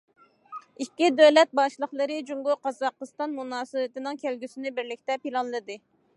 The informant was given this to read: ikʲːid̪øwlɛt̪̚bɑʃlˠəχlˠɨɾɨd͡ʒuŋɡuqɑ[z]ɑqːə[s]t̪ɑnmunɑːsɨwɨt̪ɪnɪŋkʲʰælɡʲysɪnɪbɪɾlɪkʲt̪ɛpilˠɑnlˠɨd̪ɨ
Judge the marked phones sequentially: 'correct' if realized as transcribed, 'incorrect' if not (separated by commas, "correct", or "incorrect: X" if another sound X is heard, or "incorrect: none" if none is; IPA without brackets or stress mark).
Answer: correct, correct